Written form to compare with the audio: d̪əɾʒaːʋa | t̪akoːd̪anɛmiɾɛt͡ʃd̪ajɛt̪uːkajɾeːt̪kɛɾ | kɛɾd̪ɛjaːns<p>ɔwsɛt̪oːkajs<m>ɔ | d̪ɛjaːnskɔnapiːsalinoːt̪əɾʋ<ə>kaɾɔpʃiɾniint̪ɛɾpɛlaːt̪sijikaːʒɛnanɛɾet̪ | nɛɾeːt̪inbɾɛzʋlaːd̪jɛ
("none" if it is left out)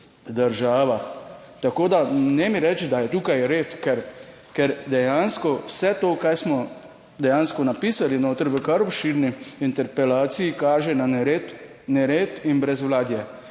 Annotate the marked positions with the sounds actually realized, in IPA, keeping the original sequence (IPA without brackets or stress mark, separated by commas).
k, m, ə